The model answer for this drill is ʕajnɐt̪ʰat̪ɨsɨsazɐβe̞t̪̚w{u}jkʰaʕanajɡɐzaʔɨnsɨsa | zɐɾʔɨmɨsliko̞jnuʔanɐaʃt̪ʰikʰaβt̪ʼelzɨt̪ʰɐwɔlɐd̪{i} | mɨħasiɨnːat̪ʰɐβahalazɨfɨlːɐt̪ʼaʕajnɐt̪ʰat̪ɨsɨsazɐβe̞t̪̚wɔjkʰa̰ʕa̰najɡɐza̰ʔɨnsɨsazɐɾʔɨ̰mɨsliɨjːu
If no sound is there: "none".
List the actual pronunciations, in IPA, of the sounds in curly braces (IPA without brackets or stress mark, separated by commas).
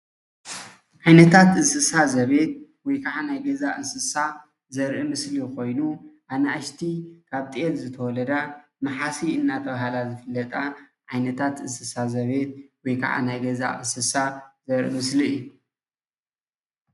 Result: ɔ, a